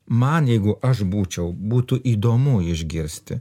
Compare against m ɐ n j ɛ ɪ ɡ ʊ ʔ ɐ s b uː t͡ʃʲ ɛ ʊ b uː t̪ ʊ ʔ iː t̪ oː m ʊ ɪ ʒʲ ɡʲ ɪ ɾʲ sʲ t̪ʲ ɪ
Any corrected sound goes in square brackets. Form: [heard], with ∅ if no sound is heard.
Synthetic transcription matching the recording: m ɐ n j ɛ ɪ ɡ ʊ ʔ ɐ [ʃ] b uː t͡ʃʲ ɛ ʊ b uː t̪ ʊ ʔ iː [d̪] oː m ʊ ɪ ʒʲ ɡʲ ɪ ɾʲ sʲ t̪ʲ ɪ